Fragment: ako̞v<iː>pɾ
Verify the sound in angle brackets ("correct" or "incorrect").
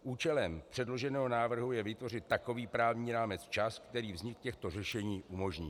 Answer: correct